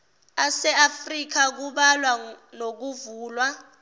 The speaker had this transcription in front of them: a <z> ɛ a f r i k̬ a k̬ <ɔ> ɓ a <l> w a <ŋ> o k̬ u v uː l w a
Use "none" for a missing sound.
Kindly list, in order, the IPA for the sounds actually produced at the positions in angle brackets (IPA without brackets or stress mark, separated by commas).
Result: s, u, l, n